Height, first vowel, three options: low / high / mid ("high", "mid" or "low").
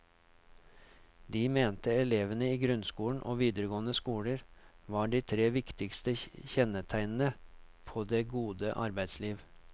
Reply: high